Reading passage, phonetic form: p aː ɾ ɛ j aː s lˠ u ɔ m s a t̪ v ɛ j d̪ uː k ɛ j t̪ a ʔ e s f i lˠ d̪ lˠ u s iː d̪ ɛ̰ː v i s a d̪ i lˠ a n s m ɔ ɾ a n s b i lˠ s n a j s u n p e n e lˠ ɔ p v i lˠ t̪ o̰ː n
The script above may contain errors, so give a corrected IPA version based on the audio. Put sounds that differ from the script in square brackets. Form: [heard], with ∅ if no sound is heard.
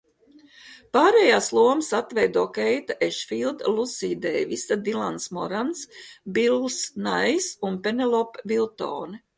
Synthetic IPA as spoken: p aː ɾ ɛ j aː s lˠ u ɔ m s a t̪ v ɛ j d̪ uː k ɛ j t̪ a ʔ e [ʃ] f i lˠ d̪ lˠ u s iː d̪ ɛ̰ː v i s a d̪ i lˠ a n s m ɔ ɾ a n s b i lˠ s n a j s u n p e n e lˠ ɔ p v i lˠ t̪ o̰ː n